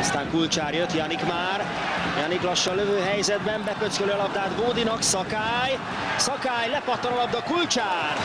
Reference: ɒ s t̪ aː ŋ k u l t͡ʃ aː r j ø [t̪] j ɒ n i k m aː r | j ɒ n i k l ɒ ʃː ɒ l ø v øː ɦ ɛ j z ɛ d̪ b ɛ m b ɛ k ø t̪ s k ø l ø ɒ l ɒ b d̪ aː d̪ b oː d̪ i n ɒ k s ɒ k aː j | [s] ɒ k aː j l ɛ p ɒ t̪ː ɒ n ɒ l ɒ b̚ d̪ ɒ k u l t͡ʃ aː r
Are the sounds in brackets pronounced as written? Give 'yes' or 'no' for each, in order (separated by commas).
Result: yes, yes